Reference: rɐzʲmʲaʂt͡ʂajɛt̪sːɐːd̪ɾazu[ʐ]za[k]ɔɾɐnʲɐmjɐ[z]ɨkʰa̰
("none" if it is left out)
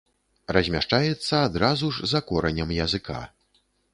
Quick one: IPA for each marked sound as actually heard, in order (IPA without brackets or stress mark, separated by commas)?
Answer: ʐ, k, z